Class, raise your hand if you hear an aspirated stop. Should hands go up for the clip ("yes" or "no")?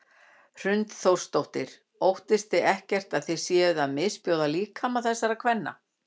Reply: yes